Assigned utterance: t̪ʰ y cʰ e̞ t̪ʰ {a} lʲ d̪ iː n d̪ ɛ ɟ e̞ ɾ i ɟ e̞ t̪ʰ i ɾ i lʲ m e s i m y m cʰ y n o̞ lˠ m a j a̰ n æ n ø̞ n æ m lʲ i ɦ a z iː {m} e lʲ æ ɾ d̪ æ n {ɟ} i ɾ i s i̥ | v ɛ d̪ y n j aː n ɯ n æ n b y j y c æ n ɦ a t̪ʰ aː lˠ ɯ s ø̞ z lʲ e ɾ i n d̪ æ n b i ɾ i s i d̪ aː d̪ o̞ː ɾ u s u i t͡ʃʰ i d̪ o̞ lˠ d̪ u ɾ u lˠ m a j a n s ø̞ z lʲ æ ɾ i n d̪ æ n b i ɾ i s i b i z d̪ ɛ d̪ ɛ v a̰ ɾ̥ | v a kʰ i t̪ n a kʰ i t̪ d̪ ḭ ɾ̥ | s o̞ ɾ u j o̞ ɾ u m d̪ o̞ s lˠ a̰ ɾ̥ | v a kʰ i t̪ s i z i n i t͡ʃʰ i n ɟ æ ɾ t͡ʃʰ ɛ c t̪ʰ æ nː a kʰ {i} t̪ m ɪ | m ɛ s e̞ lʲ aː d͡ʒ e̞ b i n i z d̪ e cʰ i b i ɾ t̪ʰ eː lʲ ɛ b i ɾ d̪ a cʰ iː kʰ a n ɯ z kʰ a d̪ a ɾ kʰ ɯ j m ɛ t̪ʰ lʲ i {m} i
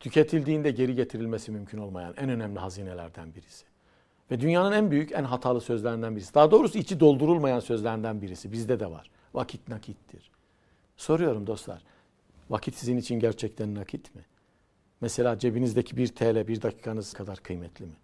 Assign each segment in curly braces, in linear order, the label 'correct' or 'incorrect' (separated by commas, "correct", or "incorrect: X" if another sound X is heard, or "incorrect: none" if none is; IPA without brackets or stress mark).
incorrect: i, incorrect: n, incorrect: b, correct, correct